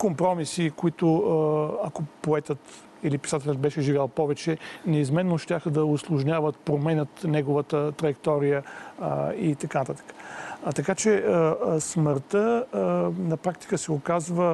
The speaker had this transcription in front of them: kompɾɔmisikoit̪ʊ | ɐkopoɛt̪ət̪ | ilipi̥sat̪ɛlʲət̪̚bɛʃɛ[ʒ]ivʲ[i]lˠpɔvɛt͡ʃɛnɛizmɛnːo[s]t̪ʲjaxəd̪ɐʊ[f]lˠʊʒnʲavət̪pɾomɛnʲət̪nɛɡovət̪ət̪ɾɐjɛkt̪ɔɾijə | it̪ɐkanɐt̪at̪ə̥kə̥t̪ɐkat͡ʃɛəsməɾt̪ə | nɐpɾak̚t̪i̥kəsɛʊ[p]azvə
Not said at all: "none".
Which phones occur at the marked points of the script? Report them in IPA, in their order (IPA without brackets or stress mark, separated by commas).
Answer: ʒ, a, ʃ, s, k